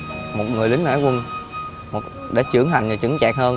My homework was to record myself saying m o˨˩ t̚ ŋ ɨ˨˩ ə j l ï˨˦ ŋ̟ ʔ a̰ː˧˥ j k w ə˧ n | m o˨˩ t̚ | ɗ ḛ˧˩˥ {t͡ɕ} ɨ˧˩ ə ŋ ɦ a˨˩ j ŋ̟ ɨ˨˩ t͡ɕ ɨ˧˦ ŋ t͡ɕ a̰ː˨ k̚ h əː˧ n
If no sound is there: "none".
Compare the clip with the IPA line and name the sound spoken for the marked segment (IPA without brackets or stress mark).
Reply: t͡ɕ